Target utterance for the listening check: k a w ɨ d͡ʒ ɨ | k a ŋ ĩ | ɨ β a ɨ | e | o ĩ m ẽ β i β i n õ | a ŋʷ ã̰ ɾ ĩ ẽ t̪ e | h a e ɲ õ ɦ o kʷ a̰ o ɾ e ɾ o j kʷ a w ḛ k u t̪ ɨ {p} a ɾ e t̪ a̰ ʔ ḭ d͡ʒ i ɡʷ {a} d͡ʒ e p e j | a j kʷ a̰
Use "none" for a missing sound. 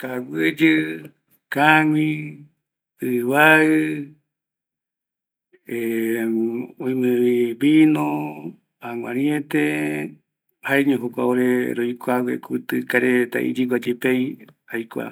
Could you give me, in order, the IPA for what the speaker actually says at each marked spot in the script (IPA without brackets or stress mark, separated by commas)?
k, a